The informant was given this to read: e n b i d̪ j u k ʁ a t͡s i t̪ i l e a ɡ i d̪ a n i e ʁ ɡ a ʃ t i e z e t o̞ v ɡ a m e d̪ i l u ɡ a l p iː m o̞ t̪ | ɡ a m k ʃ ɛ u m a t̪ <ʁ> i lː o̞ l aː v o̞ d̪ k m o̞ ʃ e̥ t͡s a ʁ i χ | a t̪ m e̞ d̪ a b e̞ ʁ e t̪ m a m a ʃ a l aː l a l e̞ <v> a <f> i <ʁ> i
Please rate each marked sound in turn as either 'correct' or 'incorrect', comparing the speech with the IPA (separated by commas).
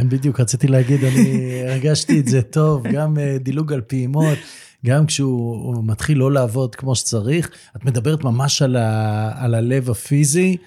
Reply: incorrect, correct, correct, incorrect